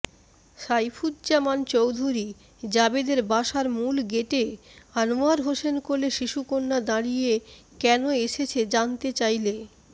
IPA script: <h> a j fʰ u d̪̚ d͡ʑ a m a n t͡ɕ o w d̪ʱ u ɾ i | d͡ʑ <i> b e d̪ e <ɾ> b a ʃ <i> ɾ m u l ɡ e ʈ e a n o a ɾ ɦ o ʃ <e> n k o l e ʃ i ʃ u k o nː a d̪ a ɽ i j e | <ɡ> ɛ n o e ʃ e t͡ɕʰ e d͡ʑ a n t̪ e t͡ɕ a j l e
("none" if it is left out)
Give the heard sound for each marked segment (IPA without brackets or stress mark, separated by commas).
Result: ʃ, a, ɾ, a, e, k